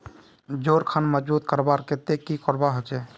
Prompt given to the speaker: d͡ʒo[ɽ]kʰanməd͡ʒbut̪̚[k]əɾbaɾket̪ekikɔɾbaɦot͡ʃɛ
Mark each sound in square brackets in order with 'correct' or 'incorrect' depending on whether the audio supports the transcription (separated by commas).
incorrect, correct